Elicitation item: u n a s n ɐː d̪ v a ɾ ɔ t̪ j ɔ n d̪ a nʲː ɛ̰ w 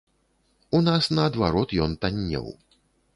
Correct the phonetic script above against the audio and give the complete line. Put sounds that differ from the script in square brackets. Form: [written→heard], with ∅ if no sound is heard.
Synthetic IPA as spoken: u n a s n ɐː d̪ v a ɾ ɔ t̪ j ɔ n [d̪→t̪] a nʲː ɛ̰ w